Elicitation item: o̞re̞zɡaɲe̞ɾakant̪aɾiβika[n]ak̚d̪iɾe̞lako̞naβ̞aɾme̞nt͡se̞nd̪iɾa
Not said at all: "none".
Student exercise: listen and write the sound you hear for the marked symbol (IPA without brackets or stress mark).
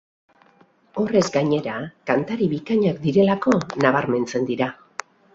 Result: ɲ